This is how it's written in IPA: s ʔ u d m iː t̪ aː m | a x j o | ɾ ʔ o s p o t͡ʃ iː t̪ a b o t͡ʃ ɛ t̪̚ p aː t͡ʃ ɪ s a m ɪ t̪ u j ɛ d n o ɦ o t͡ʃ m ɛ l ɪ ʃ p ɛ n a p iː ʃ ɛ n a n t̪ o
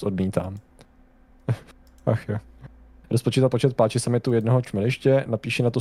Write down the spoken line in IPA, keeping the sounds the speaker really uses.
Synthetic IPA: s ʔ o d m iː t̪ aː m | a x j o | ɾ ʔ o s p o t͡ʃ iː t̪ a p o t͡ʃ ɛ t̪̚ p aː t͡ʃ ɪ s a m ɪ t̪ u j ɛ d n o ɦ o t͡ʃ m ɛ l ɪ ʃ c ɛ n a p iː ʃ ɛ n a t̪ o